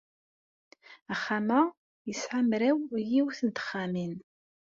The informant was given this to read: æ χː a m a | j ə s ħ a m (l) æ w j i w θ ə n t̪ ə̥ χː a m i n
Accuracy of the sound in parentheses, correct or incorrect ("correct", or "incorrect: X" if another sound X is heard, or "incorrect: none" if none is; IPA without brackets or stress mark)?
incorrect: ɾ